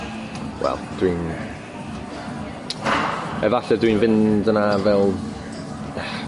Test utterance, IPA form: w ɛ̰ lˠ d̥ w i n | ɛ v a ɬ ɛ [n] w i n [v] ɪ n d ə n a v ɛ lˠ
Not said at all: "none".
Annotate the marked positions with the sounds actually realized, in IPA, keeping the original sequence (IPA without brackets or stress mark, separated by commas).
d, v